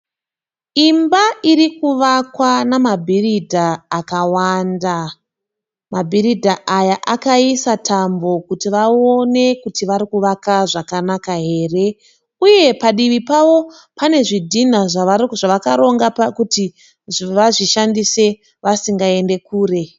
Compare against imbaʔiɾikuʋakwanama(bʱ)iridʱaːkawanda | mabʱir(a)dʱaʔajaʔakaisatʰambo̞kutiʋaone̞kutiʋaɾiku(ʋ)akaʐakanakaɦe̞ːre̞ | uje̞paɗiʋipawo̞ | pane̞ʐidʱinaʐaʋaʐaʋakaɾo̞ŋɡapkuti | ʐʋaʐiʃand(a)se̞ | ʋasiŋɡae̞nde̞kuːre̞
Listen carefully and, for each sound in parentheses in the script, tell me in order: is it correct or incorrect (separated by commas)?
correct, incorrect, correct, incorrect